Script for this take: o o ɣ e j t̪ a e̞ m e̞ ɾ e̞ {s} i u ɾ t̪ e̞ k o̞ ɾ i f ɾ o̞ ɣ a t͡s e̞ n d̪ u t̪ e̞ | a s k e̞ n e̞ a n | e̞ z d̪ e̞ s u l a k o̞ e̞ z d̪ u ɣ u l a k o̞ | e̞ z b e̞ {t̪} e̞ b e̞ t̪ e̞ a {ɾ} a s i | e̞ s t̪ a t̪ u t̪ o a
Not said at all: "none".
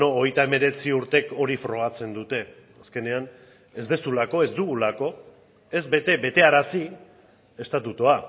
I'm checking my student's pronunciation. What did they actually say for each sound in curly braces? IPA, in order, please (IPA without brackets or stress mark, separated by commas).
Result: t͡s, t̪, ɾ